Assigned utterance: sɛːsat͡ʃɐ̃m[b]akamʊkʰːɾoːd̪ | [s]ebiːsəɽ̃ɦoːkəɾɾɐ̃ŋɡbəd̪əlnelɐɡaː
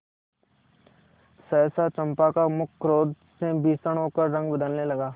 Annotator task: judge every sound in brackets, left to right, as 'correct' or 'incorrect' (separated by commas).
incorrect, correct